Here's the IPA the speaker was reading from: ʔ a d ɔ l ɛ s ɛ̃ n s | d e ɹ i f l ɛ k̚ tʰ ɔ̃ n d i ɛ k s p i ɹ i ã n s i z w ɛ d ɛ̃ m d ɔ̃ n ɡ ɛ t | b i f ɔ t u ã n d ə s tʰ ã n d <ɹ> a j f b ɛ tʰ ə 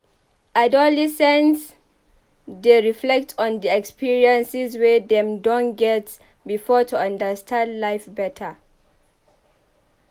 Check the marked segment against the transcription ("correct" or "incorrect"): incorrect